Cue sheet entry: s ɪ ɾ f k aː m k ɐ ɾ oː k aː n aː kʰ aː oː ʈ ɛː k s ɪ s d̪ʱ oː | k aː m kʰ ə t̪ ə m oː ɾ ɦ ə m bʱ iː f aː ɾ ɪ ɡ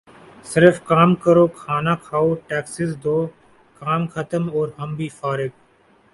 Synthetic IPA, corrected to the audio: s ɪ ɾ f k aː m k ə ɾ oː kʰ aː n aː kʰ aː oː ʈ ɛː k s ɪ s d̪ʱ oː | k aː m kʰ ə t̪ ə m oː ɾ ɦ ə m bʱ iː f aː ɾ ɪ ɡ